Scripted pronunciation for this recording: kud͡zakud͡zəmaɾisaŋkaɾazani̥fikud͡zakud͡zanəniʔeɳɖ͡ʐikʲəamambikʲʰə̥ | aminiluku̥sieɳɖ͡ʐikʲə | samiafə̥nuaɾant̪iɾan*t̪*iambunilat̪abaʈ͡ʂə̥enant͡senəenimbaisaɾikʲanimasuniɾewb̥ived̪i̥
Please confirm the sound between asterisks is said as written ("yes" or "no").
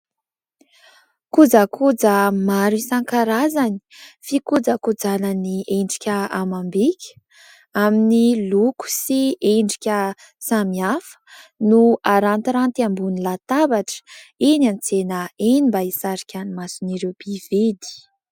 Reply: yes